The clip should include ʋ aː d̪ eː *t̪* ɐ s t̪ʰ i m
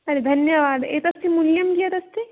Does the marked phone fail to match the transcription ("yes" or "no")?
no